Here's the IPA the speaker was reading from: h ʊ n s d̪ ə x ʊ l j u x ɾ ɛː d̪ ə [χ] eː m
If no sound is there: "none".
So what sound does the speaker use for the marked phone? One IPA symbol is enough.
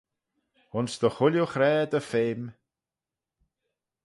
f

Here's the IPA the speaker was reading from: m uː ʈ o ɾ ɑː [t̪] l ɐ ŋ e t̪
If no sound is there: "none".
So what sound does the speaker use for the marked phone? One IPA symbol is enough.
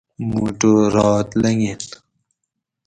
t̪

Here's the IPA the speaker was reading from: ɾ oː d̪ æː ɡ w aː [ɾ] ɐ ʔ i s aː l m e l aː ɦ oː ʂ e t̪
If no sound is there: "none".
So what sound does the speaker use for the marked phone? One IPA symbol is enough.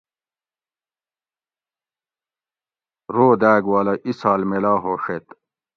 l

